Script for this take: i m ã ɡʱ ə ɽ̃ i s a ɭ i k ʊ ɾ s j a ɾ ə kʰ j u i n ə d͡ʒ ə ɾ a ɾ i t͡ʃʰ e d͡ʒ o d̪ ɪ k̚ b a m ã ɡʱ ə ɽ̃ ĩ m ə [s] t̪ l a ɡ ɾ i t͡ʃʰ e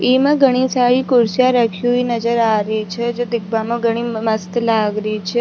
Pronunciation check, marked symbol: correct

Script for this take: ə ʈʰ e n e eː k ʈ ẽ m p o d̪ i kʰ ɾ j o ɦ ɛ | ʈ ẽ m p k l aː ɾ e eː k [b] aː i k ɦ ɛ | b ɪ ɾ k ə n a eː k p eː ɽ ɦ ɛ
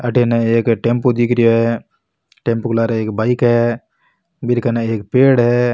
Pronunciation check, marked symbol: correct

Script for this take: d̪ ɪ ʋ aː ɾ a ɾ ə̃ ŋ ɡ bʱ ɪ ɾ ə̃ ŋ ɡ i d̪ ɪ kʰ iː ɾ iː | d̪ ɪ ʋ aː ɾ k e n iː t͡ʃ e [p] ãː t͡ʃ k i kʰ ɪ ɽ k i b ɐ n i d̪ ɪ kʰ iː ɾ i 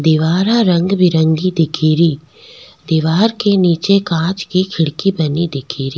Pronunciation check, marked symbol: incorrect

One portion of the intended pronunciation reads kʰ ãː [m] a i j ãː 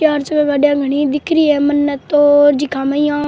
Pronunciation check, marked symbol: correct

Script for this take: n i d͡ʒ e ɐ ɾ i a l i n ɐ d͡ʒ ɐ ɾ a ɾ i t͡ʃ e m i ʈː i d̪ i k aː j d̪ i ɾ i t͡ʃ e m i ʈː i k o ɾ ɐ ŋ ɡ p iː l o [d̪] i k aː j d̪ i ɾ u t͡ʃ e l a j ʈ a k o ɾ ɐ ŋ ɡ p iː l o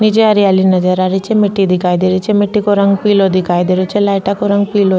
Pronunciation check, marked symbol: correct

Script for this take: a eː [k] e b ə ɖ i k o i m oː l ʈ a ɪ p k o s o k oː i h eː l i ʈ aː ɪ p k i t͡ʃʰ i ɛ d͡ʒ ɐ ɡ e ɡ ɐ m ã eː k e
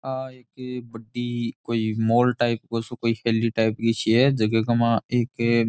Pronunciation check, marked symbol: correct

